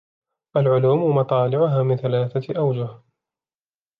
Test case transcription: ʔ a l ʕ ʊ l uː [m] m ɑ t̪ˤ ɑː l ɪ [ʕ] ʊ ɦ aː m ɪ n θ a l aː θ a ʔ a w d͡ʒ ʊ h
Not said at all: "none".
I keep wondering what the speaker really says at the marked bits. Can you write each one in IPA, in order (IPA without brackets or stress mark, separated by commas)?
m, ʕ